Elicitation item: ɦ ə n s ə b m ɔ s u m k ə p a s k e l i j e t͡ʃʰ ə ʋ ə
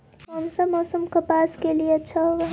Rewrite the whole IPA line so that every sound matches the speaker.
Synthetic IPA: ɦ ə m s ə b m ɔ s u m k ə p a s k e l i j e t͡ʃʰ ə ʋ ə